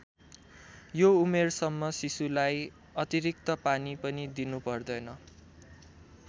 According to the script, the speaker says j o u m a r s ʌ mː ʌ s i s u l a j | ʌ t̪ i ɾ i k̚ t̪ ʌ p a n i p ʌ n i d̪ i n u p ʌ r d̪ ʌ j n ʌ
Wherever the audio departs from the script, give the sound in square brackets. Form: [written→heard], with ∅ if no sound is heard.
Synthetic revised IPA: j o u m [a→e] r s ʌ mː ʌ s i s u l a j | ʌ t̪ i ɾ i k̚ t̪ ʌ p a n i p ʌ n i d̪ i n u p ʌ r d̪ ʌ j n ʌ